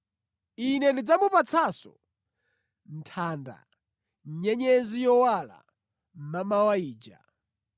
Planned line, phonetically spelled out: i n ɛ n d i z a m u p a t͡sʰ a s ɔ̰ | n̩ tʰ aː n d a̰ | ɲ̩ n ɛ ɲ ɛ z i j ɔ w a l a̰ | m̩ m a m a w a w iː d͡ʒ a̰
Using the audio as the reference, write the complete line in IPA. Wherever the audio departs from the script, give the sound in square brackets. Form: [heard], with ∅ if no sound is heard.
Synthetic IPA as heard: i n ɛ n d i [d͡z] a m u p a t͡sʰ a s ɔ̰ | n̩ tʰ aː n d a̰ | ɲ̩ [ɲ] ɛ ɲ ɛ z i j ɔ w a l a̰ | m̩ m a m a w a [∅] iː d͡ʒ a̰